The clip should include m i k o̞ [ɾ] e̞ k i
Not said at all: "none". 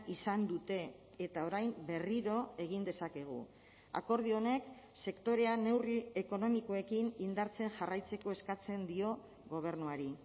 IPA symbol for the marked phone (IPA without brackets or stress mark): none